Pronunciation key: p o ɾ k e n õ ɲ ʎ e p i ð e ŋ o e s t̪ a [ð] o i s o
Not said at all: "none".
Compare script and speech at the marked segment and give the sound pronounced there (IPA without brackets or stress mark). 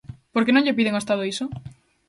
ð